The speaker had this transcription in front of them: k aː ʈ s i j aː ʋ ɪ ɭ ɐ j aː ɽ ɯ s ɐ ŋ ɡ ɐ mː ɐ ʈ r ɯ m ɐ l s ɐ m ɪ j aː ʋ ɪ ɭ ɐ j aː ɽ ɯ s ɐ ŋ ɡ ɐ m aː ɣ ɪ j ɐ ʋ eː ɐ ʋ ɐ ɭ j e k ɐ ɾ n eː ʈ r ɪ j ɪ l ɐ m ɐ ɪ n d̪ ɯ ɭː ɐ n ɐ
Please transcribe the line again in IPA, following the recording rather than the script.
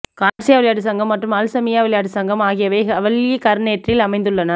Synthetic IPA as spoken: k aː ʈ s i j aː ʋ ɪ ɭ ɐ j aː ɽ ɯ s ɐ ŋ ɡ ɐ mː ɐ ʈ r ɯ m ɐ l s ɐ m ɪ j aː ʋ ɪ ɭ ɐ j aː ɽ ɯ s ɐ ŋ ɡ ɐ m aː ɣ ɪ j ɐ ʋ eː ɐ ʋ ɐ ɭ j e k ɐ ɾ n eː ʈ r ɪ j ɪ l ɐ m ɐ ɪ n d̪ ɯ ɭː ɐ n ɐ

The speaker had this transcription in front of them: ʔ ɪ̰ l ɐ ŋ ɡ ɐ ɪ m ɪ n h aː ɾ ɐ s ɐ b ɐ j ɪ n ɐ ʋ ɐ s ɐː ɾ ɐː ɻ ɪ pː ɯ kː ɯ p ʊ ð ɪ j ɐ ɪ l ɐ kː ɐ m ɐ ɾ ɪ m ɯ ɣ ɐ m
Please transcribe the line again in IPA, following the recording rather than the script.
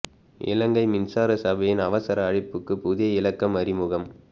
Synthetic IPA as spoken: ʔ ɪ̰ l ɐ ŋ ɡ ɐ ɪ m ɪ n s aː ɾ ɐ s ɐ b ɐ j ɪ n ɐ ʋ ɐ s ɐ ɾ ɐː ɻ ɪ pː ɯ kː ɯ p ʊ ð ɪ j ɐ ɪ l ɐ kː ɐ m ɐ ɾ ɪ m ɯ ɣ ɐ m

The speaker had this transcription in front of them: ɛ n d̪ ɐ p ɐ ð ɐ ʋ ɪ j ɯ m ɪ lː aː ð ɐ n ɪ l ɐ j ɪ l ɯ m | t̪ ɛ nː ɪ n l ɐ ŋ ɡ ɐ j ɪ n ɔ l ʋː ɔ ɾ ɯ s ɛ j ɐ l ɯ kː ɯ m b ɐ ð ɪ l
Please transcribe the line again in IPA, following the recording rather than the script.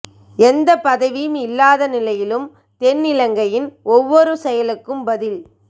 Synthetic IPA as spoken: ɛ n d̪ ɐ p ɐ ð ɐ ʋ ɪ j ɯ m ɪ lː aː ð ɐ n ɪ l ɐ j ɪ l ɯ m | t̪ ɛ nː ɪ l ɐ ŋ ɡ ɐ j ɪ n ɔ ʋː ɔ ɾ ɯ s ɛ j ɐ l ɯ kː ɯ m b ɐ ð ɪ l

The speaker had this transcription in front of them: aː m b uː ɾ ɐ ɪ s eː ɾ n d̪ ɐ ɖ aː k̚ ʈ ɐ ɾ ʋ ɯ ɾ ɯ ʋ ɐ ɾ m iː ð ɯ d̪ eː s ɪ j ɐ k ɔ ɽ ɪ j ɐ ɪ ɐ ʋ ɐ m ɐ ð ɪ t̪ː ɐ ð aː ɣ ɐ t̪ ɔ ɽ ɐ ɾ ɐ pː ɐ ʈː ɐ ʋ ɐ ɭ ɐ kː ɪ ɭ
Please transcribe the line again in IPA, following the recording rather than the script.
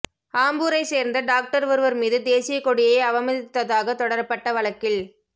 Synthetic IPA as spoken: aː m b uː ɾ ɐ ɪ s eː ɾ n d̪ ɐ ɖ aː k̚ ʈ ɐ ɾ ʋ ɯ ɾ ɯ ʋ ɐ ɾ m iː ð ɯ d̪ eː s ɪ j ɐ k ɔ ɽ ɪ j ɐ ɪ ɐ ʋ ɐ m ɐ ð ɪ t̪ː ɐ ð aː ɣ ɐ t̪ ɔ ɽ ɐ ɾ ɐ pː ɐ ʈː ɐ ʋ ɐ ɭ ɐ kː ɪ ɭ

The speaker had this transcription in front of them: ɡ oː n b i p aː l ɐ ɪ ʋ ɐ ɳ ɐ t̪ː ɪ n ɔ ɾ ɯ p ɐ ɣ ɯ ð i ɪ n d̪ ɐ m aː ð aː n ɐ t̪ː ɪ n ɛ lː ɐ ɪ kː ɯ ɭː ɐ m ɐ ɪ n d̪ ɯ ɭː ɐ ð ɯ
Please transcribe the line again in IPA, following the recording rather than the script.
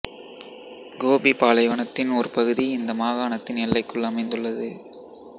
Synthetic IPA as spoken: ɡ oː b i p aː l ɐ ɪ ʋ ɐ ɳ ɐ t̪ː ɪ n ɔ ɾ ɯ p ɐ ɣ ɯ ð i ɪ n d̪ ɐ m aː ɣ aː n ɐ t̪ː ɪ n ɛ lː ɐ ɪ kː ɯ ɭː ɐ m ɐ ɪ n d̪ ɯ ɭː ɐ ð ɯ

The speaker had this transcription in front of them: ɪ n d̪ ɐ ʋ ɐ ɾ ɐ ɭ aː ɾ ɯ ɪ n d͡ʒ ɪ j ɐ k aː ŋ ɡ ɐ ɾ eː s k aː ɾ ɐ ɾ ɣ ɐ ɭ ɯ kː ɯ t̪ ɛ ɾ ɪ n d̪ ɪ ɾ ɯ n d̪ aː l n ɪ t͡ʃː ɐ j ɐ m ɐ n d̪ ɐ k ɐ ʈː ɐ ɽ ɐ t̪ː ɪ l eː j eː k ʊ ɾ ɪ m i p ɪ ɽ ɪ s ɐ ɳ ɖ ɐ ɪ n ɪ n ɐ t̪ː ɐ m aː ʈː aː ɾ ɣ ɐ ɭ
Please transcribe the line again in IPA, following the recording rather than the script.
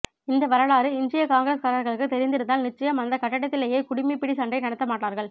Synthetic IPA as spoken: ɪ n d̪ ɐ ʋ ɐ ɾ ɐ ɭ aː ɾ ɯ ɪ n d͡ʒ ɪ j ɐ k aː ŋ ɡ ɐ ɾ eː s k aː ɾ ɐ ɾ ɣ ɐ ɭ ɯ kː ɯ t̪ ɛ ɾ ɪ n d̪ ɪ ɾ ɯ n d̪ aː l n ɪ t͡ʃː ɐ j ɐ m ɐ n d̪ ɐ k ɐ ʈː ɐ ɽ ɐ t̪ː ɪ l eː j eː k ʊ ɽ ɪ m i p ɪ ɽ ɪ s ɐ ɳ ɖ ɐ ɪ n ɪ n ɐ t̪ː ɐ m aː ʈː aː ɾ ɣ ɐ ɭ

